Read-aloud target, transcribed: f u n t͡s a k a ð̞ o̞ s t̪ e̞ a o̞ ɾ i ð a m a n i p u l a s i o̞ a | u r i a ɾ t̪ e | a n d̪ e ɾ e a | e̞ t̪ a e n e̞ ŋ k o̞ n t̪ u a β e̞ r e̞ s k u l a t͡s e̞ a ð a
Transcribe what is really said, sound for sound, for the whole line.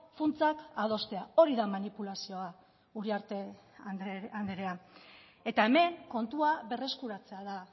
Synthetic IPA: f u n t͡s a k a ð̞ o̞ s t̪ e̞ a o̞ ɾ i ð a m a n i p u l a s i o̞ a | u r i a ɾ t̪ e | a n d̪ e ɾ e a | e̞ t̪ a e m e̞ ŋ k o̞ n t̪ u a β e̞ r e̞ s k u ɾ a t͡s e̞ a ð a